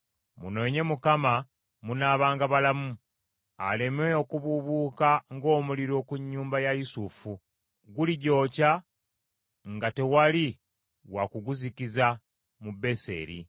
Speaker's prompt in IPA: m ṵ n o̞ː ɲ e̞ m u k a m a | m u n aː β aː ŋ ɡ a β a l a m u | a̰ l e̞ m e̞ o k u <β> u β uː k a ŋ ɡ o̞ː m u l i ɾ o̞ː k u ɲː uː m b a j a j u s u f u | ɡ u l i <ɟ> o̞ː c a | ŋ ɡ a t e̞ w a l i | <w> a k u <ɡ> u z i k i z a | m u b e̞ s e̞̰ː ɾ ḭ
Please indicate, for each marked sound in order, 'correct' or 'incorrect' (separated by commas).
correct, correct, correct, correct